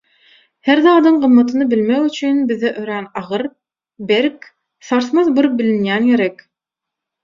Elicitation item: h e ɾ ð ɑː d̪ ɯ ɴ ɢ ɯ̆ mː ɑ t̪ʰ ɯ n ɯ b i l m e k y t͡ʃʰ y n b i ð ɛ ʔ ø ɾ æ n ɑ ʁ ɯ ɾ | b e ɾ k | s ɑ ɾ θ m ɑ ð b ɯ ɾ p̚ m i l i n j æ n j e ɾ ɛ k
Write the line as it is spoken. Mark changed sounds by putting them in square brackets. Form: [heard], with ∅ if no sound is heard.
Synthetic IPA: h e ɾ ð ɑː d̪ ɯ ɴ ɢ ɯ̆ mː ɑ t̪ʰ ɯ n ɯ b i l m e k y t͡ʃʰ y n b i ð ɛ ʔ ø ɾ æ n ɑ ʁ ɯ ɾ | b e ɾ k | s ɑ ɾ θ m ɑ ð b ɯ ɾ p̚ [b] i l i n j æ n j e ɾ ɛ k